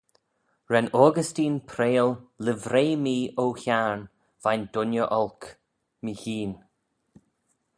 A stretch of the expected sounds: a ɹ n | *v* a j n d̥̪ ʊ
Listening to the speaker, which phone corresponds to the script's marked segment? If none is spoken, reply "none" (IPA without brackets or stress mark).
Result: v